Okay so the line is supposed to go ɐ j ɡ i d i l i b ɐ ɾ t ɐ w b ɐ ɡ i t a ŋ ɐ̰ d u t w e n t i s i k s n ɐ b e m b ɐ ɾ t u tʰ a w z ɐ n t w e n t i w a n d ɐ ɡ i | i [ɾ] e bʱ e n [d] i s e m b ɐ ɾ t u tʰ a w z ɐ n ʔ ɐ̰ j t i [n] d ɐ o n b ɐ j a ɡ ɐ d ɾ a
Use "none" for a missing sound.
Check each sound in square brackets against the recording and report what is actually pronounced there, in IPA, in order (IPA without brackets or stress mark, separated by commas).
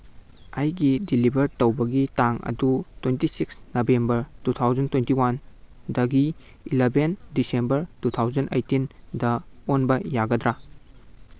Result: l, d, n